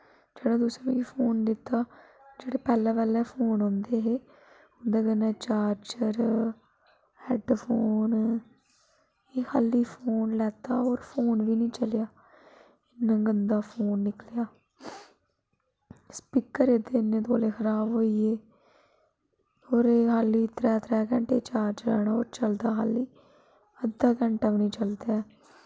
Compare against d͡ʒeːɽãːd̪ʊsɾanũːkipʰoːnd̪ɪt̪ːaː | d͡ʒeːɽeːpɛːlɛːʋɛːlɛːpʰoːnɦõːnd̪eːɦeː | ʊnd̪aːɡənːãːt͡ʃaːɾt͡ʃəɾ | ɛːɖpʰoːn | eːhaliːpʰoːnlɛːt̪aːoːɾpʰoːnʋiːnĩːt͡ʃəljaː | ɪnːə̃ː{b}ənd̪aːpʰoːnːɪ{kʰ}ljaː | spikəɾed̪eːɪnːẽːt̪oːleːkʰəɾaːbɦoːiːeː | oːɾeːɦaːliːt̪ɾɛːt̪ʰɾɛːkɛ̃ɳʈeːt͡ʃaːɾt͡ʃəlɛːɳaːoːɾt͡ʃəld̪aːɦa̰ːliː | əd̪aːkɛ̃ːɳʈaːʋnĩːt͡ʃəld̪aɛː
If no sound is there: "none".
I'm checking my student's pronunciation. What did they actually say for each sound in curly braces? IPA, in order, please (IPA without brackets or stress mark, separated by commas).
ɡ, k